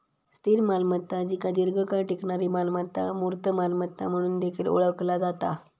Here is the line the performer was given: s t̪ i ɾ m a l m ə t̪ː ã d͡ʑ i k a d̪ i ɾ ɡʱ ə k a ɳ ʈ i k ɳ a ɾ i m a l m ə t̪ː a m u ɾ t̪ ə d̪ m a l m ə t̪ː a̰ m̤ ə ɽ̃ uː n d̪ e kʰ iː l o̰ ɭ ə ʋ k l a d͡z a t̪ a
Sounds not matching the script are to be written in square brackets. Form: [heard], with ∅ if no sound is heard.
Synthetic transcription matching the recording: s t̪ i ɾ m a l m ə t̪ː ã d͡ʑ i k a d̪ i ɾ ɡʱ ə k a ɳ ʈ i k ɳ a ɾ i m a l m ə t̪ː a m u ɾ t̪ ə [∅] m a l m ə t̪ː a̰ m̤ ə ɽ̃ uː n d̪ e kʰ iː l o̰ ɭ ə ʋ k l a d͡z a t̪ a

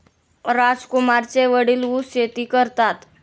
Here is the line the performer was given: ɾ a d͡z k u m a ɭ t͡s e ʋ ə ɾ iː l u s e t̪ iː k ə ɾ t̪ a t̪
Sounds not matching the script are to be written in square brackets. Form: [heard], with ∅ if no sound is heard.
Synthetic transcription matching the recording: ɾ a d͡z k u m a [ɾ] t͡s e ʋ ə [ɽ] iː l u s e t̪ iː k ə ɾ t̪ a t̪

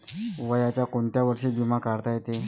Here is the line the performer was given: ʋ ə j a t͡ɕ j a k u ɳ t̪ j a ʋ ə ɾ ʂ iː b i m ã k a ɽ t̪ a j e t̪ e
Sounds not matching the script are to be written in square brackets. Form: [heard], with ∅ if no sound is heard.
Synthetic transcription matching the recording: ʋ ə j a t͡ɕ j a k [o] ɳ t̪ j a ʋ ə ɾ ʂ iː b i m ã k a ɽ t̪ a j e t̪ e

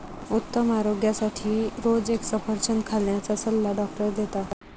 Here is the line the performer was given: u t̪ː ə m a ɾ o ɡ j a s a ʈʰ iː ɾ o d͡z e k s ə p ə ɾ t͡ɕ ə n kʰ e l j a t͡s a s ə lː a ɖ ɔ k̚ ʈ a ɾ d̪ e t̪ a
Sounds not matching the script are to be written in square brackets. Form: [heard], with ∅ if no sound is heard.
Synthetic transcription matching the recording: u t̪ː ə m a ɾ o ɡ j a s a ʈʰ iː ɾ o d͡z e k s ə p ə ɾ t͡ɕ ə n kʰ [a] l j a t͡s a s ə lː a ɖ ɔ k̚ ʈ [ə] ɾ d̪ e t̪ a

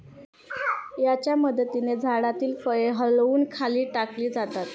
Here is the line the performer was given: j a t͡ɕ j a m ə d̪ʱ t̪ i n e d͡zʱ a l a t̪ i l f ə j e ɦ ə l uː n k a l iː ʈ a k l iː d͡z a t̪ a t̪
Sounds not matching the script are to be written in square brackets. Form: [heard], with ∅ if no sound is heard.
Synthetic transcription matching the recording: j a t͡ɕ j a m ə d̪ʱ t̪ i n e d͡zʱ a [ɽ] a t̪ [iː] l f ə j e ɦ ə l uː n [kʰ] a l iː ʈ a k l iː d͡z a t̪ a t̪

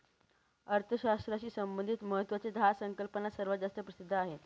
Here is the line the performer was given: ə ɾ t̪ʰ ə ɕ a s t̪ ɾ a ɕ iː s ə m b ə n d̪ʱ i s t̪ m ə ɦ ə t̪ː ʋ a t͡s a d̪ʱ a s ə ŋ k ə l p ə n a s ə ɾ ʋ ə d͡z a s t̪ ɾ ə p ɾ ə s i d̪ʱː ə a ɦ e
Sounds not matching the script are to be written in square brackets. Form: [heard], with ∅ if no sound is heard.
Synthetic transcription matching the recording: ə ɾ t̪ʰ ə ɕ a s t̪ ɾ a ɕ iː s ə m b ə n d̪ʱ i [∅] t̪ m ə ɦ ə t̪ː ʋ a t͡s [e] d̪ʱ a s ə ŋ k ə l p ə n a s ə ɾ ʋ ə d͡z a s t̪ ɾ ə p ɾ ə s i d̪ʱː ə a ɦ e

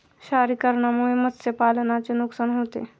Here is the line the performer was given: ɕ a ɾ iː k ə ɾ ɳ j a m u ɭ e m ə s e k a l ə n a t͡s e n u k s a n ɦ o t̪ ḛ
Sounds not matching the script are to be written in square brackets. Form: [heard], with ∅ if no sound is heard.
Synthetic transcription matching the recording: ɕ a ɾ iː k ə ɾ ɳ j a m u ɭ e m ə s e [p] a l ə n a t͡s e n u k s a n ɦ o t̪ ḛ

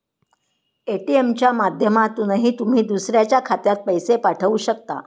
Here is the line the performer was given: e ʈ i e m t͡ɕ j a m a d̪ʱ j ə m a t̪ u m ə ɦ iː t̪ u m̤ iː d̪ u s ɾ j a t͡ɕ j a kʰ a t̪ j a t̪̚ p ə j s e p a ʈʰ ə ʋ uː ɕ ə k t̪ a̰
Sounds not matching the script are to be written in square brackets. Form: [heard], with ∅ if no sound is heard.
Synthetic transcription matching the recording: e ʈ i e m t͡ɕ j a m a d̪ʱ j ə m a t̪ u [n] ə ɦ iː t̪ u m̤ iː d̪ u s ɾ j a t͡ɕ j a kʰ a t̪ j a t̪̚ p ə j s e p a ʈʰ ə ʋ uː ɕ ə k t̪ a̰

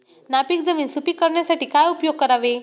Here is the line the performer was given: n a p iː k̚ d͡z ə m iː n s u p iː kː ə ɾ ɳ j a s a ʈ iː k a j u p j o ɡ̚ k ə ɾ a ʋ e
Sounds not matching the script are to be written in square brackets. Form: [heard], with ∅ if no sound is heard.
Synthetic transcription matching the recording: n a p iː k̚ d͡z ə m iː n s u p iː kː ə ɾ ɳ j a s a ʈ iː k a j u p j o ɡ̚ k ə ɾ a ʋ e

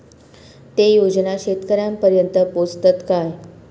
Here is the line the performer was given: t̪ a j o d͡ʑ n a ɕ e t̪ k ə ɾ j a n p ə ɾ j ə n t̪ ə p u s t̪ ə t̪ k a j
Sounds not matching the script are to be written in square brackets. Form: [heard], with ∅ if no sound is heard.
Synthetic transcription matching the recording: t̪ [e] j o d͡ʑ n a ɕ e t̪ k ə ɾ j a [m] p ə ɾ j ə n t̪ ə p [o] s t̪ ə t̪ k a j

